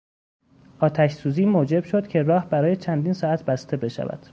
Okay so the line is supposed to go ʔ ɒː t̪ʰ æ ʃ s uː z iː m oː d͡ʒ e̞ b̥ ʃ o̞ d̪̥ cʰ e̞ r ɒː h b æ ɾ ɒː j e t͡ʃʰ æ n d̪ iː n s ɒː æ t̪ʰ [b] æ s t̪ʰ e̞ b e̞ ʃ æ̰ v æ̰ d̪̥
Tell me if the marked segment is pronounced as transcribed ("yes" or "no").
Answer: yes